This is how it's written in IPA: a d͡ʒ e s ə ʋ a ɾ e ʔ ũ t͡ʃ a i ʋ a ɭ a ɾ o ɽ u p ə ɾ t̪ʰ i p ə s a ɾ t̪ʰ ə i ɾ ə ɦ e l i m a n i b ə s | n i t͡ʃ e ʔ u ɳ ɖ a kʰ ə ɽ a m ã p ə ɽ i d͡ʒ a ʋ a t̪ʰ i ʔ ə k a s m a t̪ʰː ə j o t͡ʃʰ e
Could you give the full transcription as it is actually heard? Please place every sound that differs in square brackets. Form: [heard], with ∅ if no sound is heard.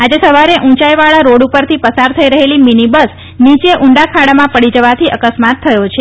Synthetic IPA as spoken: a d͡ʒ e s ə ʋ a ɾ e ʔ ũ t͡ʃ a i ʋ a ɭ a ɾ o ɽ u p ə ɾ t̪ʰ i p ə s a ɾ t̪ʰ ə i ɾ ə ɦ e l i m [i] n i b ə s | n i t͡ʃ e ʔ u ɳ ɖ a kʰ [a] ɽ a m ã p ə ɽ i d͡ʒ [ə] ʋ a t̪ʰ i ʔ ə k [ə] s m a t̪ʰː ə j o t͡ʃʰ e